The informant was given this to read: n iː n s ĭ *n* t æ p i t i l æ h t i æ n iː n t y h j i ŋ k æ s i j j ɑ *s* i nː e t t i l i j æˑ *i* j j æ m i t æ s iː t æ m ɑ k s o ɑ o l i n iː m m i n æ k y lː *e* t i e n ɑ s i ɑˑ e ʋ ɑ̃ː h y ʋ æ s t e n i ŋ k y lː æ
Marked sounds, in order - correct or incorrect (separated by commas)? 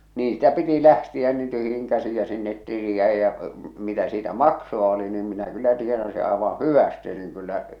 incorrect, correct, correct, incorrect